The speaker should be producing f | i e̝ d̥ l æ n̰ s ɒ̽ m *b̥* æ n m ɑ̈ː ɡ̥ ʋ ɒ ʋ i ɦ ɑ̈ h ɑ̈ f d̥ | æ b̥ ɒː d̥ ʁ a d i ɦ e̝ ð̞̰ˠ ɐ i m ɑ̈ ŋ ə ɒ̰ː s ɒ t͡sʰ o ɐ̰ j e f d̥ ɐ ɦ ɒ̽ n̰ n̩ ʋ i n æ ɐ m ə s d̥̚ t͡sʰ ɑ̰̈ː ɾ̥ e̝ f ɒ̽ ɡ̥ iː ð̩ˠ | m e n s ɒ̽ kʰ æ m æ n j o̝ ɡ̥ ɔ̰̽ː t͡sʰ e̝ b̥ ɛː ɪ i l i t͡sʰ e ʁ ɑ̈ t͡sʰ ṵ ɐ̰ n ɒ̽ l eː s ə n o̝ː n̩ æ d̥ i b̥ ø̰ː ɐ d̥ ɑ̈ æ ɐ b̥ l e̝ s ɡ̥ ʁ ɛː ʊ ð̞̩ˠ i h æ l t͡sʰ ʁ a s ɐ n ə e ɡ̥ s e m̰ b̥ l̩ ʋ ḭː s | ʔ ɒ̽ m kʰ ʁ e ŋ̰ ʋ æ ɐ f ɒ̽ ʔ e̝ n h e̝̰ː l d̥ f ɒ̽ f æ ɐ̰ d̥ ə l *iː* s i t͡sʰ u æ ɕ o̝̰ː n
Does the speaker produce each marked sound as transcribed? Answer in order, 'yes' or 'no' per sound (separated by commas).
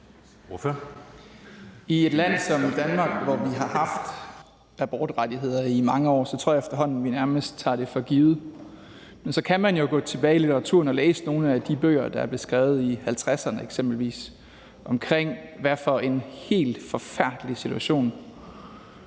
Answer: no, no